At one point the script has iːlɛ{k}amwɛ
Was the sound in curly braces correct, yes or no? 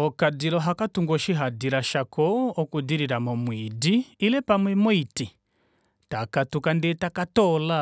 no